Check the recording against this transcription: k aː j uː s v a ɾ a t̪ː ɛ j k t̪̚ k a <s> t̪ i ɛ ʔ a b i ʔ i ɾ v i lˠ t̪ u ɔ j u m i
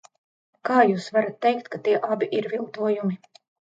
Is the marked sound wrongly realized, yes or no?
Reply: yes